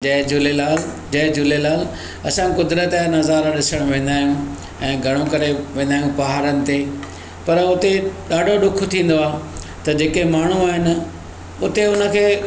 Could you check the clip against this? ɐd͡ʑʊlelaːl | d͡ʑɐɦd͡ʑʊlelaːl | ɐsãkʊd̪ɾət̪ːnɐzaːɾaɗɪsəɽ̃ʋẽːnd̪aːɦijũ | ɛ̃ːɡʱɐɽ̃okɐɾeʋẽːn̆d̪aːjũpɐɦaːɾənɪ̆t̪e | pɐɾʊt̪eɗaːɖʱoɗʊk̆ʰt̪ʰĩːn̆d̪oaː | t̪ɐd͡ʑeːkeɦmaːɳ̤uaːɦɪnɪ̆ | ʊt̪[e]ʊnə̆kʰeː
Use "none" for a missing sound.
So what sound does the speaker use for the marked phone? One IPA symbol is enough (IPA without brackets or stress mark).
e